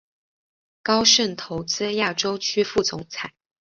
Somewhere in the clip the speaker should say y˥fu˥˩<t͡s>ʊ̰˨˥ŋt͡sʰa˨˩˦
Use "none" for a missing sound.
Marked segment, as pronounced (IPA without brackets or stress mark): t͡s